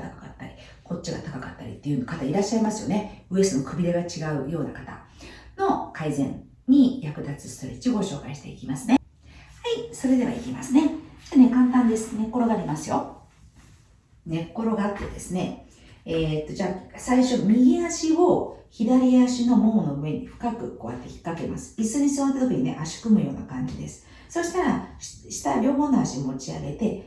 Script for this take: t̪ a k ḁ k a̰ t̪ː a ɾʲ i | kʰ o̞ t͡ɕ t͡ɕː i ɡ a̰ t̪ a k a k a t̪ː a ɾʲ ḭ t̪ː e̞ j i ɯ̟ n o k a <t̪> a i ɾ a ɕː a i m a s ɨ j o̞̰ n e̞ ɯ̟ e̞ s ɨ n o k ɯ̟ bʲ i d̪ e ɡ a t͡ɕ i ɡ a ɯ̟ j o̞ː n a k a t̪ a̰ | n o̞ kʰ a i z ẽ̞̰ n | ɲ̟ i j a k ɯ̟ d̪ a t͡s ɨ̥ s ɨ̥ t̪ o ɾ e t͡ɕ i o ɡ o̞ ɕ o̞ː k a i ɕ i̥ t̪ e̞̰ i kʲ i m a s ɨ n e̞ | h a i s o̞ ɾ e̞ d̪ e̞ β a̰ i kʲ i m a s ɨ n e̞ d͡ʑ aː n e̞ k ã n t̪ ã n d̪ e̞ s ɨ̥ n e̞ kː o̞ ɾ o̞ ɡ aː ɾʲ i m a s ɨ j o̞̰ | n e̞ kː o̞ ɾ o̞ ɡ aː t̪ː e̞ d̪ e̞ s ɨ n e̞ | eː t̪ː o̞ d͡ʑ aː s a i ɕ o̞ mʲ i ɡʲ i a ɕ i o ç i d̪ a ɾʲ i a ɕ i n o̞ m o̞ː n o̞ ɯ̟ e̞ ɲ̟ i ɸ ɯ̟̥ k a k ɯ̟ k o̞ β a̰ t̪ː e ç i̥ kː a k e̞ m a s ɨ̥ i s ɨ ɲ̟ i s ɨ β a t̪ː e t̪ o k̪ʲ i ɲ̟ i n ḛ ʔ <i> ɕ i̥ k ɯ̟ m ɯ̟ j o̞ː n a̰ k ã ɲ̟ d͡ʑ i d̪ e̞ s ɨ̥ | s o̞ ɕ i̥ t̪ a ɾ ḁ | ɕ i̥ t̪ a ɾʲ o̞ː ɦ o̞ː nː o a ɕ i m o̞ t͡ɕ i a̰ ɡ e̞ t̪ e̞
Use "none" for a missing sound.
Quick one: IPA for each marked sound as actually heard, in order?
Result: t̪, a

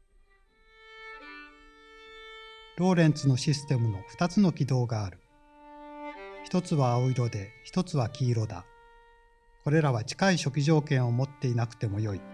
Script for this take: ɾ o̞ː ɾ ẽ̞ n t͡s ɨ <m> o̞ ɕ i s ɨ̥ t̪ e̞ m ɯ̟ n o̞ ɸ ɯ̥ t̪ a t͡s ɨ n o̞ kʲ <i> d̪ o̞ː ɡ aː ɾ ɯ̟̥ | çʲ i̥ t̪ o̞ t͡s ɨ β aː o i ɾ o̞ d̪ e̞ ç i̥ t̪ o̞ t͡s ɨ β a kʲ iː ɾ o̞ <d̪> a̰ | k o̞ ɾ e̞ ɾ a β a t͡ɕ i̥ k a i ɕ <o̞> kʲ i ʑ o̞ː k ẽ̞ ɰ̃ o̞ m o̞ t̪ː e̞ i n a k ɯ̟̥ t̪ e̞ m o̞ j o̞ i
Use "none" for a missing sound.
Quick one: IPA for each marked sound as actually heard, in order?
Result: n, i, d̪, o̞

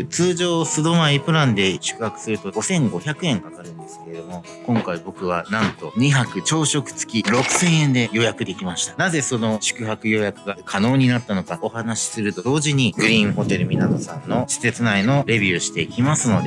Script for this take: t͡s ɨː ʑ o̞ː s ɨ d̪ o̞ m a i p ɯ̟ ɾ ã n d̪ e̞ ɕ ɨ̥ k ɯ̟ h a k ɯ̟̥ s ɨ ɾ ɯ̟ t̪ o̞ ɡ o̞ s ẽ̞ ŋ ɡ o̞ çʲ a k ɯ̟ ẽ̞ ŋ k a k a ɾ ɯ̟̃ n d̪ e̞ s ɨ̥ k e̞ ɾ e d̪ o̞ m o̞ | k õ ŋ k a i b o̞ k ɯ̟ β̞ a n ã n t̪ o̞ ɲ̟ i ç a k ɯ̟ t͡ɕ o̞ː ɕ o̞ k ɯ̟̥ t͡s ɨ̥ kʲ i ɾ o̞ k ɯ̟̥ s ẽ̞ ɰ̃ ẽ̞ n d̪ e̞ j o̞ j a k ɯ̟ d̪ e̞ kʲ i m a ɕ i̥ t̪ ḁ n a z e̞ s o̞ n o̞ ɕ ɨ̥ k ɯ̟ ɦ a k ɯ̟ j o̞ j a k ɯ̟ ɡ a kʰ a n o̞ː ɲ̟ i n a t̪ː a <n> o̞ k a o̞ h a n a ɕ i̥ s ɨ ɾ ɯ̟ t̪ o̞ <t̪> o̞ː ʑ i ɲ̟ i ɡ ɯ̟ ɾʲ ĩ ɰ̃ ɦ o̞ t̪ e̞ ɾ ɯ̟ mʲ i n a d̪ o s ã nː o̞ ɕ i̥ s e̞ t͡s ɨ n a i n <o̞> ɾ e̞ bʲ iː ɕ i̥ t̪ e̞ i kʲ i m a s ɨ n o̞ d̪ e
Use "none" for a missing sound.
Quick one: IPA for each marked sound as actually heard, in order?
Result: n, d̪, o̞

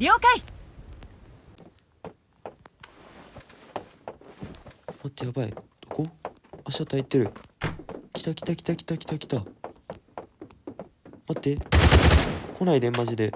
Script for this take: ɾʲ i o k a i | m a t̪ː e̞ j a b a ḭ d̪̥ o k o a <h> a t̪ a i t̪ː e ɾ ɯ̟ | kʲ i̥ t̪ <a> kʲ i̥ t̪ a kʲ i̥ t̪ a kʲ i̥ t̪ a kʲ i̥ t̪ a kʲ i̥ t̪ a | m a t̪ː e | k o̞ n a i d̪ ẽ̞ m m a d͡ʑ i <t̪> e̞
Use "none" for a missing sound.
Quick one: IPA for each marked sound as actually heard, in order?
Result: ɕ, a, d̪

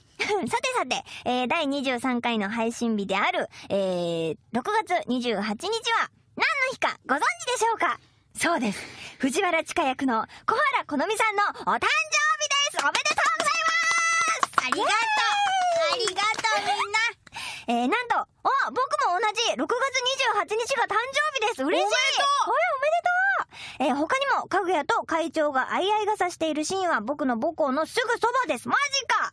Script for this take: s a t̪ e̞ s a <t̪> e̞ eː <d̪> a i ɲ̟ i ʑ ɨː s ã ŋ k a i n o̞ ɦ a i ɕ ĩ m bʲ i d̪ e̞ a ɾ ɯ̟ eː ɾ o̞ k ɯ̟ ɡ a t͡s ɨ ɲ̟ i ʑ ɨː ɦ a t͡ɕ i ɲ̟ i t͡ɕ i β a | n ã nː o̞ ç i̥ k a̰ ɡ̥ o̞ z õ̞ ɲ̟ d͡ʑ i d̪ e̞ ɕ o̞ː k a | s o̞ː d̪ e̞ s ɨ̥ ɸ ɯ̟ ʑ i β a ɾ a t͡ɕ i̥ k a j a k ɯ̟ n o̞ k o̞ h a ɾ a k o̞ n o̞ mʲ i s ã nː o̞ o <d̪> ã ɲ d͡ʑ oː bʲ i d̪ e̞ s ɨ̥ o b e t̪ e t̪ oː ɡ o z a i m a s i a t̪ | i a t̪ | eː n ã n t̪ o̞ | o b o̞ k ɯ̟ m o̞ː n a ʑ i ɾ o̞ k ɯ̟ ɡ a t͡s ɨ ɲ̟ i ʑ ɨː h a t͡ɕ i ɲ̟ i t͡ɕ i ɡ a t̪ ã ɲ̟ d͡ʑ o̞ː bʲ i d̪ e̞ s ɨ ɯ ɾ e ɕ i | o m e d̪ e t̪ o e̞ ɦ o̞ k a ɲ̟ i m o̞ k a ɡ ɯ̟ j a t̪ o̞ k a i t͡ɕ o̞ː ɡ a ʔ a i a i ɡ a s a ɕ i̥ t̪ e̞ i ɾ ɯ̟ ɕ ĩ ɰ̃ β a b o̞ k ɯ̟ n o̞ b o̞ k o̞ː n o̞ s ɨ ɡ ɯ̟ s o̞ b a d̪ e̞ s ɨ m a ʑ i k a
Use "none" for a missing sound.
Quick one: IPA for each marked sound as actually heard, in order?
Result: t̪, d̪, t̪

